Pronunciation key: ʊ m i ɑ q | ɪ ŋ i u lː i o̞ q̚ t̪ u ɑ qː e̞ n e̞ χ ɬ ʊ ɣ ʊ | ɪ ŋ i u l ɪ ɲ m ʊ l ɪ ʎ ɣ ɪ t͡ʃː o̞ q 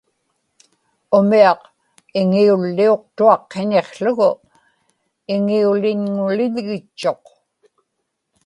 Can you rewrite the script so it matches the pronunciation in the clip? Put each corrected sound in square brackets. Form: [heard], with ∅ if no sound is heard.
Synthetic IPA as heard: ʊ m i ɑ q | ɪ ŋ i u lː i o̞ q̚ t̪ u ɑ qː e̞ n e̞ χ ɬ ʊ ɣ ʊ | ɪ ŋ i u l ɪ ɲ [ŋ] ʊ l ɪ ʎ ɣ ɪ t͡ʃː o̞ q